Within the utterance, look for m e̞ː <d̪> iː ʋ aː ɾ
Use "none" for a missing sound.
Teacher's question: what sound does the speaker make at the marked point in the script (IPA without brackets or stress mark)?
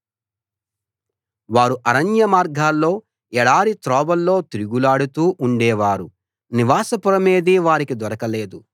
d̪